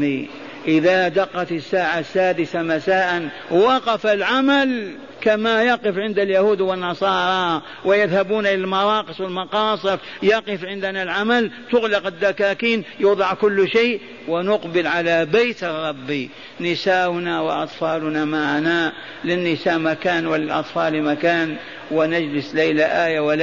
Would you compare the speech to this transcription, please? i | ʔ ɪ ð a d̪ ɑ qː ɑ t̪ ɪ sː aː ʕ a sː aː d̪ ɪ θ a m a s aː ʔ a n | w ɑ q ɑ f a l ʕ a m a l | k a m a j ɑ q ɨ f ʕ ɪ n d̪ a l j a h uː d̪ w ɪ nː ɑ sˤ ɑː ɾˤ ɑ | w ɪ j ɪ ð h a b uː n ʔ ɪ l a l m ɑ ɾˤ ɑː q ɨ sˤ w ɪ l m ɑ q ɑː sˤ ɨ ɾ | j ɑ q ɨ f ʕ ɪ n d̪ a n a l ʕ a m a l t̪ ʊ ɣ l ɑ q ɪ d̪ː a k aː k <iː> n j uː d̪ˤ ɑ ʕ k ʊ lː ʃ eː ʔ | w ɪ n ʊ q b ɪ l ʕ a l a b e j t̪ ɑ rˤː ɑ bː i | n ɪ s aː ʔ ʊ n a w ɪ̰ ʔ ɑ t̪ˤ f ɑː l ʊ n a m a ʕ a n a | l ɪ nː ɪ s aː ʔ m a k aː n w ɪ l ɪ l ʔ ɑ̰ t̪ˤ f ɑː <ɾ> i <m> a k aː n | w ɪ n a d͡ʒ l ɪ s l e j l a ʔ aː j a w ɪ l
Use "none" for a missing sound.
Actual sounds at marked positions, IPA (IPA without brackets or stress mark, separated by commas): iː, l, m